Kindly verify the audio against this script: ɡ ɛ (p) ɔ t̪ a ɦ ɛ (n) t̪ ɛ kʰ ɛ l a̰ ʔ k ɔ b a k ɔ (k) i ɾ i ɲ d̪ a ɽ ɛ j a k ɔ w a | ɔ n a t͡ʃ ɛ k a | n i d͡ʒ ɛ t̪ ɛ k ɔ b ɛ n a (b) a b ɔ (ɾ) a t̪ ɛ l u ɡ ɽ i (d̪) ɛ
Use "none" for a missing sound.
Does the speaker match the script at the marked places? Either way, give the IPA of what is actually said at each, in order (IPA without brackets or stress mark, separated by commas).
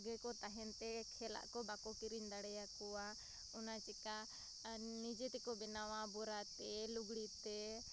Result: k, n, k, w, ɾ, t̪